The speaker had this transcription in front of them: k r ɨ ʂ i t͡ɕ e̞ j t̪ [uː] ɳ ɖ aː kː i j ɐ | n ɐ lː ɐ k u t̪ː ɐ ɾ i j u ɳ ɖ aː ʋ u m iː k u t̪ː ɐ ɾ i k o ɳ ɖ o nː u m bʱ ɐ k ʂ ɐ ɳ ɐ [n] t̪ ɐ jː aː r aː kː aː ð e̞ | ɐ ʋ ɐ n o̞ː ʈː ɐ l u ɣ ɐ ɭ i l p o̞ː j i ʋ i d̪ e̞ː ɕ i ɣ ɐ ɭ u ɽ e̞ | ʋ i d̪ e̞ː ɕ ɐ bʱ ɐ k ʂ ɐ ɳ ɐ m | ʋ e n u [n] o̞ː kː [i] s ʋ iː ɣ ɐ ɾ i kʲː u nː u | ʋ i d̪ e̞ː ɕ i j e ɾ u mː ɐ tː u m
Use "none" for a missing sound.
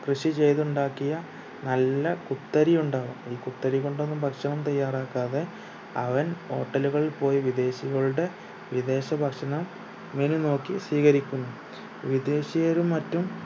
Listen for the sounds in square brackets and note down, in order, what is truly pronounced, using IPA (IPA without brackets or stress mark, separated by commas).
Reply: u, m, n, i